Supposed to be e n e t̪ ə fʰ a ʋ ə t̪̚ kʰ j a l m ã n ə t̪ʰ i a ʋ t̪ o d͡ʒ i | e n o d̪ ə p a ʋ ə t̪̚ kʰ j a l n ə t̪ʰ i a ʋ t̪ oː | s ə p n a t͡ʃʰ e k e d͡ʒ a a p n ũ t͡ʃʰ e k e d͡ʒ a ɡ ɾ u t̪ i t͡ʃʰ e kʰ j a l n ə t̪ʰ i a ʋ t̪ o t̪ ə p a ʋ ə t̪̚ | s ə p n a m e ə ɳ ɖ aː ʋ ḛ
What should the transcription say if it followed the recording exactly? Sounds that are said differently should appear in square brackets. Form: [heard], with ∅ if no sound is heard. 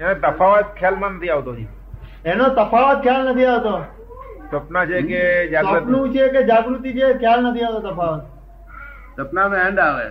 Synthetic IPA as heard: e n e t̪ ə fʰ a ʋ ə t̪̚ kʰ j a l m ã n ə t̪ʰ i a ʋ t̪ o d͡ʒ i | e n o [t̪] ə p a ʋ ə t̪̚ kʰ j a l n ə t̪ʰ i a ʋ t̪ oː | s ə p n a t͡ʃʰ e k e d͡ʒ a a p n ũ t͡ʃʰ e k e d͡ʒ a ɡ ɾ u t̪ i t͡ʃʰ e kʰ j a l n ə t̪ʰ i a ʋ t̪ o t̪ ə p a ʋ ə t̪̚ | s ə p n a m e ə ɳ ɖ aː ʋ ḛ